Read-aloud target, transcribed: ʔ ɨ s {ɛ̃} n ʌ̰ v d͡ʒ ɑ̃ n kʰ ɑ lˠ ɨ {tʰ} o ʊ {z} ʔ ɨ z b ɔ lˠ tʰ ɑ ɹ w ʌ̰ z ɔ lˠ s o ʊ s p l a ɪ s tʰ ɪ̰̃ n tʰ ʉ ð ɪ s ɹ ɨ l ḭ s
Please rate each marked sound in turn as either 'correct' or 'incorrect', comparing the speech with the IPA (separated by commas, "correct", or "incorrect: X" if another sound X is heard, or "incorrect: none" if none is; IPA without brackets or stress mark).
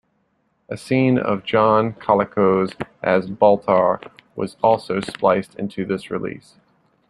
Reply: incorrect: ĩ, incorrect: kʰ, correct